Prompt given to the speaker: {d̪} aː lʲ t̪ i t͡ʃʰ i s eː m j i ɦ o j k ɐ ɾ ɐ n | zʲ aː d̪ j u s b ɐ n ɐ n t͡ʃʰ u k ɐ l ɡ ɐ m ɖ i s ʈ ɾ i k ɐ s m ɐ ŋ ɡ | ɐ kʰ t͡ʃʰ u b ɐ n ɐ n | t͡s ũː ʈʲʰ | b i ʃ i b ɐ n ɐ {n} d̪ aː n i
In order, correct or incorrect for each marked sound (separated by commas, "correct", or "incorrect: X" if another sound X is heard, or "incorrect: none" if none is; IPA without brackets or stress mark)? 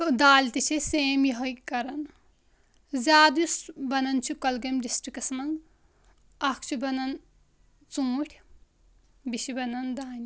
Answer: correct, correct